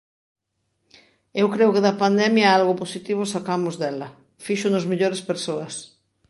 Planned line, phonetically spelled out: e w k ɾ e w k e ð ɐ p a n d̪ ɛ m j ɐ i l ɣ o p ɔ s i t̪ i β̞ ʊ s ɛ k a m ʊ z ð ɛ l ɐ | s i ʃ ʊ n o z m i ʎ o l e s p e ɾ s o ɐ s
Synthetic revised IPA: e w k ɾ e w k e ð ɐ p a n d̪ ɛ m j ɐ a l ɣ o p o s i t̪ i β̞ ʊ s a k a m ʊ z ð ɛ l ɐ | f i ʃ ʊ n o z m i ʎ o ɾ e s p e ɾ s o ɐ s